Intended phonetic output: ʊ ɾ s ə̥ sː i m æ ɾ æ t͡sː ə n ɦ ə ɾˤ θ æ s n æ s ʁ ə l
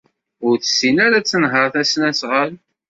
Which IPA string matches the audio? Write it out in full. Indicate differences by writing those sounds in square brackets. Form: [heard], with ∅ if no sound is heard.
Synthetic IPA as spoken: ʊ ɾ [θ] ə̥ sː i [n] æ ɾ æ t͡sː ə n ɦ ə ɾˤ θ æ s n æ s ʁ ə l